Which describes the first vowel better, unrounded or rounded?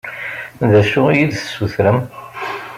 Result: unrounded